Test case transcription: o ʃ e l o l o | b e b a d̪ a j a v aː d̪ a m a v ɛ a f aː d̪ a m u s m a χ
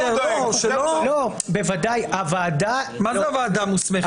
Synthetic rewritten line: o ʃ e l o l o | b e v a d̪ a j a v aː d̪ a m a z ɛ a v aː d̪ a m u s m e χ